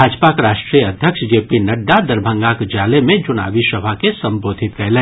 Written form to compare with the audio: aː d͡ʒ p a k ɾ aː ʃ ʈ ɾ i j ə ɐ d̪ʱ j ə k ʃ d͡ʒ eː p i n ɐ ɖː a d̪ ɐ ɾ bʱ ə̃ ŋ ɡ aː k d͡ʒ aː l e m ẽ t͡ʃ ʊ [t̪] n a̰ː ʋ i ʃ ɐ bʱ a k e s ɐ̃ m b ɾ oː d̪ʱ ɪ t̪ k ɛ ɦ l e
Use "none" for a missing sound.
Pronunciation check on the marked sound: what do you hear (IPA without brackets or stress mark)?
none